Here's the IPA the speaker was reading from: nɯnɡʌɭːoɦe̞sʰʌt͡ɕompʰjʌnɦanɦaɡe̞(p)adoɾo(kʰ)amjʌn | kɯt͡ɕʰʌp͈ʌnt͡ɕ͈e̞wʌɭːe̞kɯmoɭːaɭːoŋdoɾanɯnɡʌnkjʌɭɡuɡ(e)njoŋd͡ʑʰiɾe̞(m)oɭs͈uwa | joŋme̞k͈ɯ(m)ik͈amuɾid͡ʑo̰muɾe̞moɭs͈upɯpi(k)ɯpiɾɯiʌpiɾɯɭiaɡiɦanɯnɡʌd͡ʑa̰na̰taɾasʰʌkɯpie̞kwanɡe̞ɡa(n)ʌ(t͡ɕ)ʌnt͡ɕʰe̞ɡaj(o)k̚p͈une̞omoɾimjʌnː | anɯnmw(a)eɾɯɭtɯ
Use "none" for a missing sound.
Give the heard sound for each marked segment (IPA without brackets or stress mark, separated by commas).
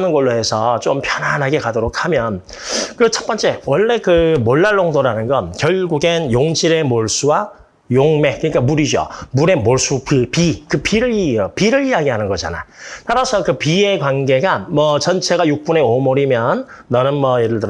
k, kʰ, e, m, ɲ, k, m, t͡ɕ, u, ʌ